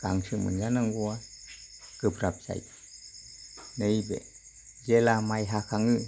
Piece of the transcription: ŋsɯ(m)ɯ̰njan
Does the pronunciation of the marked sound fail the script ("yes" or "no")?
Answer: no